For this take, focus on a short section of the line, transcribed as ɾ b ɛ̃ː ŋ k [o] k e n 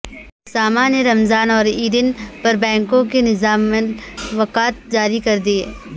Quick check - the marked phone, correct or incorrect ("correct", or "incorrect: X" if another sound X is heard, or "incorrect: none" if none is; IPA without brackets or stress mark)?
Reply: incorrect: õ